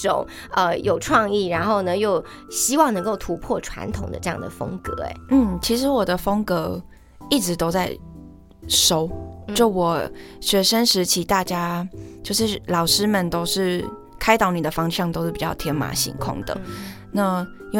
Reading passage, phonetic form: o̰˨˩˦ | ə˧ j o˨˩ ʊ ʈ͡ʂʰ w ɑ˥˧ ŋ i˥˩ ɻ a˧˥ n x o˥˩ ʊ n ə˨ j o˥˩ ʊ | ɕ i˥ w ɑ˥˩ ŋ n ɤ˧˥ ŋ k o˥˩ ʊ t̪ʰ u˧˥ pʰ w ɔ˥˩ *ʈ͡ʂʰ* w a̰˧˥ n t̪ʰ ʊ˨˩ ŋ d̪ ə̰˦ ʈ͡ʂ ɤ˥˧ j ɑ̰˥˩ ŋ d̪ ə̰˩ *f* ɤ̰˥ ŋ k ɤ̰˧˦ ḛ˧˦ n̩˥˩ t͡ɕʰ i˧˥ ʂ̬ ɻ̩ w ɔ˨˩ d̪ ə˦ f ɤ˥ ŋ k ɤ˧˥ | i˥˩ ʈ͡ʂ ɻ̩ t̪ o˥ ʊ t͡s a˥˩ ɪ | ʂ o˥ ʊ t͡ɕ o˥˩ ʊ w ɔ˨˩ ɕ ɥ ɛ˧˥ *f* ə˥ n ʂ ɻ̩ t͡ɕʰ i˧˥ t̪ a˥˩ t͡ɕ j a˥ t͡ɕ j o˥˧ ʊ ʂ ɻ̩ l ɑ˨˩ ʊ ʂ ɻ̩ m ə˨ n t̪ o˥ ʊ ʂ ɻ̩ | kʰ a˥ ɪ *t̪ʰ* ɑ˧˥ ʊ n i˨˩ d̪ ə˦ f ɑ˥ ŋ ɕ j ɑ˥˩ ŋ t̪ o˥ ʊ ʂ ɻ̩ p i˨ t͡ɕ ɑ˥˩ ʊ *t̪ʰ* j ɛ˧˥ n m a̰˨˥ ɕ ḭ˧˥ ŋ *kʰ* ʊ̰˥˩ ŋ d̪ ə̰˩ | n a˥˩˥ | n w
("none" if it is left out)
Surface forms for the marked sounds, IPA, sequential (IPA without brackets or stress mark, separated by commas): ʈ͡ʂʰ, f, ʂ, t̪, t̪ʰ, kʰ